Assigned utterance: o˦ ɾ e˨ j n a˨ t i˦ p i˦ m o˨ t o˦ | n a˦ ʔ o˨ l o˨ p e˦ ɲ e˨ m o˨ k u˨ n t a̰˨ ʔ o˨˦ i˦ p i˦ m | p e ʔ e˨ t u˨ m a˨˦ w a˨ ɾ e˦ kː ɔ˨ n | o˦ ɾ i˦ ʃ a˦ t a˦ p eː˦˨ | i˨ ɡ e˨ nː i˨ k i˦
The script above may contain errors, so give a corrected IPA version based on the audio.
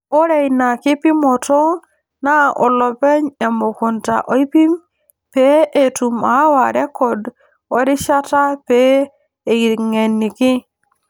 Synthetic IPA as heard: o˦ ɾ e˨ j n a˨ k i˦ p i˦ m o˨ t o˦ | n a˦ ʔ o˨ l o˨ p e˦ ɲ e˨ m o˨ k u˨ n t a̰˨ ʔ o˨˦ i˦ p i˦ m | p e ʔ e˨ t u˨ m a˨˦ w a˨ ɾ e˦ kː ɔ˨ d | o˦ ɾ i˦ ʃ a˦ t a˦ p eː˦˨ | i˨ ŋ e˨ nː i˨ k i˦